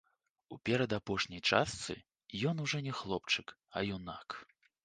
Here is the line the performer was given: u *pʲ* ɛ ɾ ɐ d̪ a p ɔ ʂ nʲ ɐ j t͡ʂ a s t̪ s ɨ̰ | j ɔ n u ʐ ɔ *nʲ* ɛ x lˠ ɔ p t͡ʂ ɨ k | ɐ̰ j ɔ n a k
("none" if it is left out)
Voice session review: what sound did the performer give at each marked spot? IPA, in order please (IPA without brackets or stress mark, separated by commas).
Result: pʲ, nʲ